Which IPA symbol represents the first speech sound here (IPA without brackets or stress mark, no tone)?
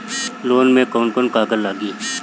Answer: l